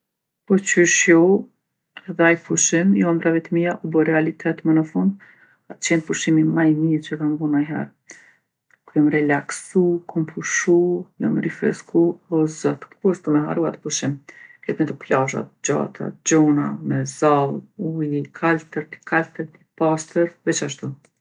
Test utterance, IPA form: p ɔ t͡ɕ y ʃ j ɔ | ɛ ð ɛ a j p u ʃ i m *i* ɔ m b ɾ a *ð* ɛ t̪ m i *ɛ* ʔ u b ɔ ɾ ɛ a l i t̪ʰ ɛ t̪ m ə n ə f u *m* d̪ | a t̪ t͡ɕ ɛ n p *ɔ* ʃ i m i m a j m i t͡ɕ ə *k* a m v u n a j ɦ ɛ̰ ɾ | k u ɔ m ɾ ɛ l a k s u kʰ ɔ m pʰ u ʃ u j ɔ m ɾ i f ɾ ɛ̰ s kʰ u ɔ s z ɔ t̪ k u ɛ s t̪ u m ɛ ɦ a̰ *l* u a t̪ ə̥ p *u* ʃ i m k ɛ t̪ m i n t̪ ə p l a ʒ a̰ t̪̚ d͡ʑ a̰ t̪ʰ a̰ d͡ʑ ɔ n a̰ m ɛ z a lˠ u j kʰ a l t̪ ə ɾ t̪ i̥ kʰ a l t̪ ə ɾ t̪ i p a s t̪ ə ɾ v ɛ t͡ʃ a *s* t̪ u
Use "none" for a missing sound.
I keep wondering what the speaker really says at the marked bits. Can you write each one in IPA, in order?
j, v, a, n, u, k, ɾ, u, ʃ

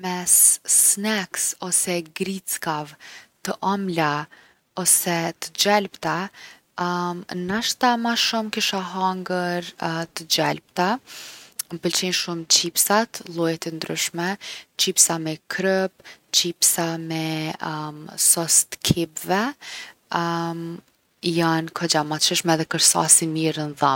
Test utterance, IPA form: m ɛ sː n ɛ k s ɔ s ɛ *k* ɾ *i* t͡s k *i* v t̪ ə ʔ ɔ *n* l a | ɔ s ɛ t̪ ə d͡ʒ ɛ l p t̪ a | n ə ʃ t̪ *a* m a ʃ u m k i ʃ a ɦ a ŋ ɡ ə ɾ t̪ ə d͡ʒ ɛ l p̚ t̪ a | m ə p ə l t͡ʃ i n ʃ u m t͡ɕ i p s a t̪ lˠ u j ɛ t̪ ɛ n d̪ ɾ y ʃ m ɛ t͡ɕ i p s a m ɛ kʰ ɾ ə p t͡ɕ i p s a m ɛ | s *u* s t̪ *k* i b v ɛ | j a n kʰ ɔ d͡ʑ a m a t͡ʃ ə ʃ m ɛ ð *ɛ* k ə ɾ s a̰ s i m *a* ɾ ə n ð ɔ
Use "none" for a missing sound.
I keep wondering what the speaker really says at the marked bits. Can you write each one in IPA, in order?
ɡ, i, a, m, a, ɔ, kʰ, ɛ, i

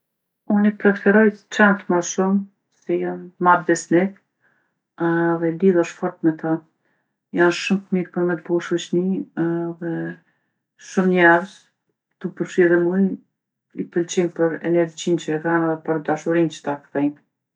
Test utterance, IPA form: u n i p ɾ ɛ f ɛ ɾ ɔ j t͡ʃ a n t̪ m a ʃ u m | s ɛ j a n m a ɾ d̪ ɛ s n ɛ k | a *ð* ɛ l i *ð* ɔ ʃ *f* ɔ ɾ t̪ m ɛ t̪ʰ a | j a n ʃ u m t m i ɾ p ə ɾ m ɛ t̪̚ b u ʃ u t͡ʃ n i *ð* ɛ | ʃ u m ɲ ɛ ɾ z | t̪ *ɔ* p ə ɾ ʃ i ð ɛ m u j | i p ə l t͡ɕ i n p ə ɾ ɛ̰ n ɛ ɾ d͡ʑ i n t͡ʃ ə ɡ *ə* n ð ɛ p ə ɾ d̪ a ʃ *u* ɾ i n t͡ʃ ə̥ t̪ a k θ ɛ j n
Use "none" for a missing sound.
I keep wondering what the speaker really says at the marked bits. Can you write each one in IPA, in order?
ð, ð, f, ð, u, a, u

